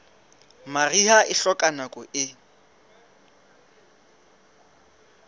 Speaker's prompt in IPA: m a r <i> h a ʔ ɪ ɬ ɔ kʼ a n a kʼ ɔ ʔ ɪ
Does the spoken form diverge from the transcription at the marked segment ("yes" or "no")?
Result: no